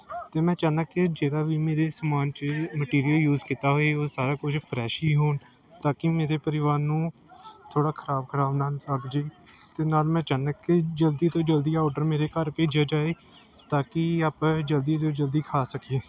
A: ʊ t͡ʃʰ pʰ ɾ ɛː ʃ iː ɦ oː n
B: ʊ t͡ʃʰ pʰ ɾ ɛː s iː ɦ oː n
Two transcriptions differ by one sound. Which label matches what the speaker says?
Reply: A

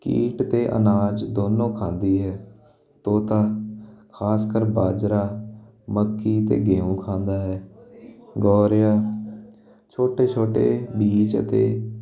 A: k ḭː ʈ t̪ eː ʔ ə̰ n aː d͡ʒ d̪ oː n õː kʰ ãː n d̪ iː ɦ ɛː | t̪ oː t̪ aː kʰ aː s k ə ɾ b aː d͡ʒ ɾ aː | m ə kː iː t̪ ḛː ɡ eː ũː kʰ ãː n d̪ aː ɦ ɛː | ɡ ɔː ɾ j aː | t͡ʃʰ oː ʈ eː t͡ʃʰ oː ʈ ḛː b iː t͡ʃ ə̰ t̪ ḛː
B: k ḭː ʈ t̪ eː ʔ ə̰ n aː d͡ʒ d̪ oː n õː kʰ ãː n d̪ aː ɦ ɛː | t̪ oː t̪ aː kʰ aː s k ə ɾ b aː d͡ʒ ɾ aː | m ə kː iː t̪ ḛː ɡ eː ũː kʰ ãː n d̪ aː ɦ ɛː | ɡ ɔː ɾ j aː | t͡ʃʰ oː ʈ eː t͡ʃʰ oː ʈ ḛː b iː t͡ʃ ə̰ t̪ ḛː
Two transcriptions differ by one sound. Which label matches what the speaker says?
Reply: A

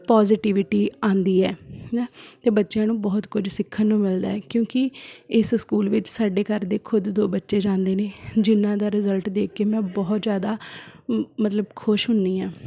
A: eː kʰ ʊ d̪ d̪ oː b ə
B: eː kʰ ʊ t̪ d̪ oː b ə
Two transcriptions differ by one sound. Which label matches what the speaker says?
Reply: A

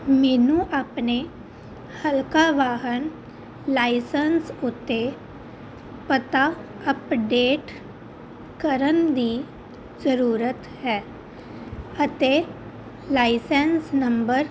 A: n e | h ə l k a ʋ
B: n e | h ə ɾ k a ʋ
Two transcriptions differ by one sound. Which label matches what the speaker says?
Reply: A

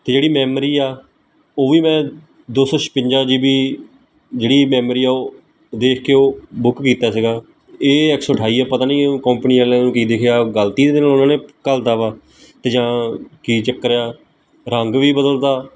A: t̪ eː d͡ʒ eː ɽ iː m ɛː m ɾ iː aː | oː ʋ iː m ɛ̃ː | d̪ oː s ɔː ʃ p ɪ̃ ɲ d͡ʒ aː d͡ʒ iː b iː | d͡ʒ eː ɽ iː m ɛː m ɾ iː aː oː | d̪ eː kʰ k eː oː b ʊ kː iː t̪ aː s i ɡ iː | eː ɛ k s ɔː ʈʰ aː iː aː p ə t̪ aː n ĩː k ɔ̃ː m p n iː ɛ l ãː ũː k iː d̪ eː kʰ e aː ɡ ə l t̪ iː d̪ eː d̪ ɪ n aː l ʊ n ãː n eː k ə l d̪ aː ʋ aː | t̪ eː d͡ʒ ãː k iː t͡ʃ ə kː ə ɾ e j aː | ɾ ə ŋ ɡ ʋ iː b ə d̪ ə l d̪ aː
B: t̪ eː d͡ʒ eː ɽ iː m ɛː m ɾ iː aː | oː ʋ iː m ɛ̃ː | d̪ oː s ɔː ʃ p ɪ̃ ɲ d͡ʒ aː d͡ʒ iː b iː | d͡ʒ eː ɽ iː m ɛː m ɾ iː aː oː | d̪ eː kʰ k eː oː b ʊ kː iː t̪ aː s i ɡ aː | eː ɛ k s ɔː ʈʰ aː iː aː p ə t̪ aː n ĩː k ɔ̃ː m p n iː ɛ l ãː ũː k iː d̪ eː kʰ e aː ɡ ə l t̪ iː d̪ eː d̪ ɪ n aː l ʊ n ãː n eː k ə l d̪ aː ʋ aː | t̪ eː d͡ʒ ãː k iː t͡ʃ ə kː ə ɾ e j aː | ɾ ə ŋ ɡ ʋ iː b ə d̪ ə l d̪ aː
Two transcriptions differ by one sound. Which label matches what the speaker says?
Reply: B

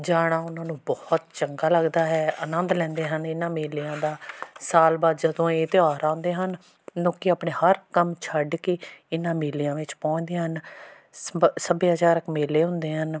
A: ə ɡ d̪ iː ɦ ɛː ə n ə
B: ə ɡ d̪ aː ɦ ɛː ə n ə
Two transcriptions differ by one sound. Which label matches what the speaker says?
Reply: B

